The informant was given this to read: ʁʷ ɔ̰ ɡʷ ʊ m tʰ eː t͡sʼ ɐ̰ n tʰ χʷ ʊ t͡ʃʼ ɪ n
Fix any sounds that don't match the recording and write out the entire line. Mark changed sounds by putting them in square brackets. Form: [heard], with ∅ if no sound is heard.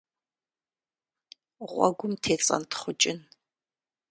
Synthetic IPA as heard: ʁʷ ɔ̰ ɡʷ ʊ m tʰ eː t͡sʼ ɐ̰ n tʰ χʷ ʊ t͡ʃʼ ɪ n